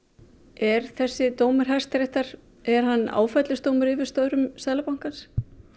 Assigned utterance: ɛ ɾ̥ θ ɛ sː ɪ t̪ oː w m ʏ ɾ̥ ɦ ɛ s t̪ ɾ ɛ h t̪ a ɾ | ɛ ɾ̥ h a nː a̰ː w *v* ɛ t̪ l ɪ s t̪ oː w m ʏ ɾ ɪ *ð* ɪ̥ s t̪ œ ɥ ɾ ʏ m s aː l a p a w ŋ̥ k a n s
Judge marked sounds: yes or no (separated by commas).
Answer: no, no